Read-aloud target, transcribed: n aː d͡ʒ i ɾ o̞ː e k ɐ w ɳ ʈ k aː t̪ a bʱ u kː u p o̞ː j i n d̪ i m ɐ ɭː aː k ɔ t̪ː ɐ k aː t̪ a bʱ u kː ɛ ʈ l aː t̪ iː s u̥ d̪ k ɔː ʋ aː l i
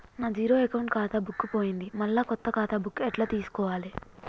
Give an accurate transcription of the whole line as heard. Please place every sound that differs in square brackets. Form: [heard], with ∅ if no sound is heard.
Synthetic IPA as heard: n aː d͡ʒ [iː] ɾ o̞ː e k ɐ w ɳ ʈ k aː t̪ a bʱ u kː u p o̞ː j i n d̪ i m ɐ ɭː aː k ɔ t̪ː ɐ k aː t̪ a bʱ u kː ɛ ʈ l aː t̪ iː s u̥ [∅] k ɔː ʋ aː l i

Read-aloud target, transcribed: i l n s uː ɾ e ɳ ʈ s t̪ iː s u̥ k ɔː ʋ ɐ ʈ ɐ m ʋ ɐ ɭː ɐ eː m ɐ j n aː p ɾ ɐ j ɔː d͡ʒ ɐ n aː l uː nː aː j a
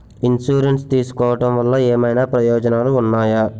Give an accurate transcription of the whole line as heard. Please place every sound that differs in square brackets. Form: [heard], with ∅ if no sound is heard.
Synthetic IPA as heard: i [∅] n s uː ɾ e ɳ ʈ s t̪ iː s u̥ k ɔː ʋ ɐ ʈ ɐ m ʋ ɐ [lː] ɐ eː m ɐ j n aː p ɾ ɐ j ɔː d͡ʒ ɐ n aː l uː nː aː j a

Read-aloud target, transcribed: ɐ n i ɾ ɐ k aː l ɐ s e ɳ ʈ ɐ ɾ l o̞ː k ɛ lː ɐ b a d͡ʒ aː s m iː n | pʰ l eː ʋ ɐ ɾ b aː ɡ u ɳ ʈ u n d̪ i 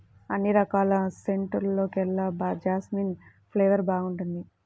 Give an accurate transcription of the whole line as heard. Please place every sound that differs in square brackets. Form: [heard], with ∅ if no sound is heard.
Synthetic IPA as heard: ɐ [nː] i ɾ ɐ k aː l ɐ s e ɳ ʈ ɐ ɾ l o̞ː k ɛ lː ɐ b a d͡ʒ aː s m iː n | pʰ l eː ʋ ɐ ɾ b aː ɡ u ɳ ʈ u n d̪ i

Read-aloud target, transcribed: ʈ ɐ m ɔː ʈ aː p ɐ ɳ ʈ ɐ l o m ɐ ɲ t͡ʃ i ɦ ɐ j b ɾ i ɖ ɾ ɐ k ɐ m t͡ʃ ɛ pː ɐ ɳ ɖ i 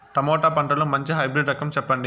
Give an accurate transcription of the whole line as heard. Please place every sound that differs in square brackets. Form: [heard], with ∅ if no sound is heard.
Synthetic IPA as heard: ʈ ɐ m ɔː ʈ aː p ɐ ɳ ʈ ɐ l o m ɐ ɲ t͡ʃ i ɦ ɐ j b ɾ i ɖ ɾ ɐ k ɐ m t͡ʃ ɛ pː ɐ ɳ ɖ i

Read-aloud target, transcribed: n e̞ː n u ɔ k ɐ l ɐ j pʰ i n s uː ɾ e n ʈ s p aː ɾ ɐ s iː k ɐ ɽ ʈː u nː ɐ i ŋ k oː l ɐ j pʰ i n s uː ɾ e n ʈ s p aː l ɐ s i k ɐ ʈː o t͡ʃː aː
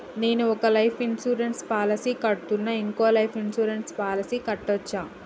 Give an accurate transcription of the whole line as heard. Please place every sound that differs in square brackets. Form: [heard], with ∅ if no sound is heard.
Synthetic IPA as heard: n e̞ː n u ɔ k ɐ l ɐ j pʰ i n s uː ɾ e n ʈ s p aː [l] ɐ s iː k ɐ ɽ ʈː u nː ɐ i ŋ k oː l ɐ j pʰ i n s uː ɾ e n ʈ s p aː l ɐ s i k ɐ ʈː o t͡ʃː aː

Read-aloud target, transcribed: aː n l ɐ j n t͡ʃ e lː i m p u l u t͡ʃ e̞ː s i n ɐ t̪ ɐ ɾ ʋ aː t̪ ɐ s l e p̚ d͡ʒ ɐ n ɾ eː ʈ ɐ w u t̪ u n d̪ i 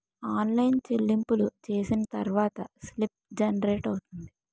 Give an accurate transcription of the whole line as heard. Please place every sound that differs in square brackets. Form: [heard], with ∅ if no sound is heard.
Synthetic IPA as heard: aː n l ɐ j n t͡ʃ e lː i m p u l u t͡ʃ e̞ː s i n ɐ t̪ ɐ ɾ ʋ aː t̪ ɐ s l [i] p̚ d͡ʒ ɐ n ɾ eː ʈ ɐ w u t̪ u n d̪ i

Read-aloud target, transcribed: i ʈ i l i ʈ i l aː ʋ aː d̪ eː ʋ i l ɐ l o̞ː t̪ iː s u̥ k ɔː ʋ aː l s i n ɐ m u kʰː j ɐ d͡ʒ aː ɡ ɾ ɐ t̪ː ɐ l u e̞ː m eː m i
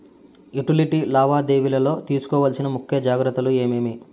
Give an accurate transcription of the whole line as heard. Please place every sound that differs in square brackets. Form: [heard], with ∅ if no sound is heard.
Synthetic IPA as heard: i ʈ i l i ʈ i l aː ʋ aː d̪ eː ʋ i l ɐ l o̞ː t̪ iː s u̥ k ɔː ʋ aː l s i n ɐ m u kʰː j ɐ d͡ʒ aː ɡ ɾ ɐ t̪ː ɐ l u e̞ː m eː m i

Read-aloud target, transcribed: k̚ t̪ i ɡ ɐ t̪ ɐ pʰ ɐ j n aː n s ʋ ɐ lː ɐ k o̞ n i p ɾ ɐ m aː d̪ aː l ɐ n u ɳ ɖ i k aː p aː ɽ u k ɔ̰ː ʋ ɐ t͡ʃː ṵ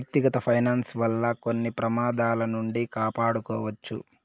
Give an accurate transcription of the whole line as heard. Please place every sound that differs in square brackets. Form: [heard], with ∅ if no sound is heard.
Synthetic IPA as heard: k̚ t̪ i ɡ ɐ t̪ ɐ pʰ ɐ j n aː n s ʋ ɐ lː ɐ k o̞ [nː] i p ɾ ɐ m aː d̪ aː l ɐ n u ɳ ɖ i k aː p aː ɽ u k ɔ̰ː ʋ ɐ t͡ʃː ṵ

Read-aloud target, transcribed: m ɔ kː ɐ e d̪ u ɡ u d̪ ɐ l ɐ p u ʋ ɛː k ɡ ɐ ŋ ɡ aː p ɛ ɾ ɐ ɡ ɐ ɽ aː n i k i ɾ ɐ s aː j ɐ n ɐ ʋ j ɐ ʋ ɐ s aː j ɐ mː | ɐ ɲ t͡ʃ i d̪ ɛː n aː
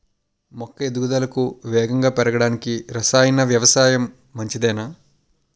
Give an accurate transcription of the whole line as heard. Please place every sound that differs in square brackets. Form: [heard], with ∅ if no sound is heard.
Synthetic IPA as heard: m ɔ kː ɐ e d̪ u ɡ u d̪ ɐ l ɐ [k] u ʋ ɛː [∅] ɡ ɐ ŋ ɡ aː p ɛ ɾ ɐ ɡ ɐ ɽ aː n i k i ɾ ɐ s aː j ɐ n ɐ ʋ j ɐ ʋ ɐ s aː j ɐ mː | ɐ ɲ t͡ʃ i d̪ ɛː n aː

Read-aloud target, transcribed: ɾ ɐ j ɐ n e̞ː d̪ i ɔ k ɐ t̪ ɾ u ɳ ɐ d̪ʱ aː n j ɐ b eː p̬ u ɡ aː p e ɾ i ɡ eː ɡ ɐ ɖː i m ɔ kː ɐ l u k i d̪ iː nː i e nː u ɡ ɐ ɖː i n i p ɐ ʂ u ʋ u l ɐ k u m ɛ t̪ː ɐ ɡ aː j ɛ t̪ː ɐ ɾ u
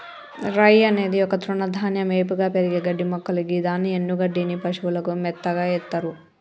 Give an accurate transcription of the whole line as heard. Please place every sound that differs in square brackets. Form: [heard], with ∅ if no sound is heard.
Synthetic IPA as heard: ɾ ɐ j ɐ n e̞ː d̪ i ɔ k ɐ t̪ ɾ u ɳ ɐ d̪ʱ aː n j ɐ [m] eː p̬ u ɡ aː p e ɾ i ɡ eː ɡ ɐ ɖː i m ɔ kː ɐ l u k i d̪ [aː] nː i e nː u ɡ ɐ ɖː i n i p ɐ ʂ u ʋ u l ɐ k u m ɛ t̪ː ɐ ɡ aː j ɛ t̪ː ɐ ɾ u

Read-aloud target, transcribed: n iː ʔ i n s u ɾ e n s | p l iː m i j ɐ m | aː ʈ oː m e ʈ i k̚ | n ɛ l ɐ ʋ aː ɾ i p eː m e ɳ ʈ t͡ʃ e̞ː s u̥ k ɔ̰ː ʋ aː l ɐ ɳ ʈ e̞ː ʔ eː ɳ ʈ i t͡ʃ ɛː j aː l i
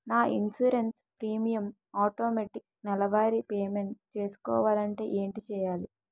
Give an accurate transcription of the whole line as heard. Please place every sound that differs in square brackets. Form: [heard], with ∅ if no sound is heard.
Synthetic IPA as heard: n [aː] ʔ i n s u ɾ e n s | p [ɾ] iː m i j ɐ m | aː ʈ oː m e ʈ i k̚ | n ɛ l ɐ ʋ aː ɾ i p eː m e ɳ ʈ t͡ʃ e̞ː s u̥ k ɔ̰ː ʋ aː l ɐ ɳ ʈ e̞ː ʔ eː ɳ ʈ i t͡ʃ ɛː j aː l i

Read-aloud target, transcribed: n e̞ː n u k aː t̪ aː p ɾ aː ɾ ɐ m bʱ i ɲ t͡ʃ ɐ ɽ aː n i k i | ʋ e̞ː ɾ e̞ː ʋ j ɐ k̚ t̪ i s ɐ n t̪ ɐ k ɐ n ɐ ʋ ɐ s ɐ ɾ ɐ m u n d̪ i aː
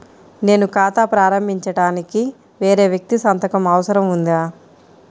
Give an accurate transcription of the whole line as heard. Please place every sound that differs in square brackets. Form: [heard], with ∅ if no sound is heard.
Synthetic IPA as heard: n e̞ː n u k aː t̪ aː p ɾ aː ɾ ɐ m bʱ i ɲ t͡ʃ ɐ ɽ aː n i k i | ʋ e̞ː ɾ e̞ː ʋ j ɐ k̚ t̪ i s ɐ n t̪ ɐ k ɐ [m] ɐ ʋ ɐ s ɐ ɾ ɐ m u n d̪ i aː

